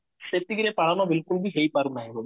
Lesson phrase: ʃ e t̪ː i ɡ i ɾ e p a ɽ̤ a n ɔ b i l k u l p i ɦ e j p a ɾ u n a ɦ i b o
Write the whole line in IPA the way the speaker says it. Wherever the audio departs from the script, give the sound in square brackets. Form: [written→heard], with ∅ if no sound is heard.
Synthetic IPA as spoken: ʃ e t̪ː i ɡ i ɾ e p a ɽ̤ a n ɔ b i l k u l [p→b] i ɦ e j p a ɾ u n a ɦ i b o

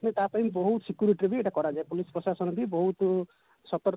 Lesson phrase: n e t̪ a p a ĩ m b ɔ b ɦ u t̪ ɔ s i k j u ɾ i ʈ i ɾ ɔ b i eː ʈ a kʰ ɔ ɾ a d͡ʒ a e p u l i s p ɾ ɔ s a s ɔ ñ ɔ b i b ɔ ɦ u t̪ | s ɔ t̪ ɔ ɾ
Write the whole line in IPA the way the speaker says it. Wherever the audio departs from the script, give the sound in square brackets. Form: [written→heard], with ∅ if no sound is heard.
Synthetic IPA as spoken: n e t̪ a p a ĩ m b ɔ [b→∅] ɦ u t̪ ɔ s i k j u ɾ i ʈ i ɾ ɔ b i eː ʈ a [kʰ→k] ɔ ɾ a d͡ʒ a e p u l i s p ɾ ɔ s a s ɔ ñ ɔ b i b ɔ ɦ u t̪ | s ɔ t̪ ɔ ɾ

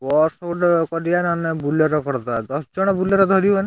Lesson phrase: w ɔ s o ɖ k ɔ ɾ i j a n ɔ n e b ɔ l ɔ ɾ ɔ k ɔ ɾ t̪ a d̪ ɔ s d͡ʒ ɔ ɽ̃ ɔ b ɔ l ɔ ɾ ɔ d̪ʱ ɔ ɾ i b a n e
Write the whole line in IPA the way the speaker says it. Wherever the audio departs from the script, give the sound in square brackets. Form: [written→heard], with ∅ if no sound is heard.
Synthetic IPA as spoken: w ɔ s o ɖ k ɔ ɾ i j a n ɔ n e b [ɔ→u] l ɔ ɾ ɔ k ɔ ɾ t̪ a d̪ ɔ s d͡ʒ ɔ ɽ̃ ɔ b [ɔ→u] l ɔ ɾ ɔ d̪ʱ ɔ ɾ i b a n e

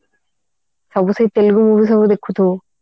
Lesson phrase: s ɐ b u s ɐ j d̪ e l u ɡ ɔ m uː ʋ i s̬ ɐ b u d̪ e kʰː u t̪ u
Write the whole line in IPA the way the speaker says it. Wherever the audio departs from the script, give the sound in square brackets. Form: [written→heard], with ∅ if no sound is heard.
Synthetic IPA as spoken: s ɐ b u s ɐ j [d̪→t̪] e l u ɡ [ɔ→u] m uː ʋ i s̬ ɐ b u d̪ e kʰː u t̪ u

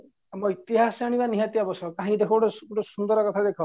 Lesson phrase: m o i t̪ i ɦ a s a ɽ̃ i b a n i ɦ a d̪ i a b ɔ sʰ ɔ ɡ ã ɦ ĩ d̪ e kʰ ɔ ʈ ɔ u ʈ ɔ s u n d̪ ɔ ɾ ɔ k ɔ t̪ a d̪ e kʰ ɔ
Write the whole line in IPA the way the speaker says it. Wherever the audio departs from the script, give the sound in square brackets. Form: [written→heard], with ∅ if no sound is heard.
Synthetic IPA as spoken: m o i t̪ i ɦ a s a ɽ̃ i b a n i ɦ a [d̪→t̪] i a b ɔ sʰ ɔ [ɡ→k] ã ɦ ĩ d̪ e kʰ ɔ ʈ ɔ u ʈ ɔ s u n d̪ ɔ ɾ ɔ k ɔ [t̪→t̪ʰ] a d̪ e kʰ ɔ

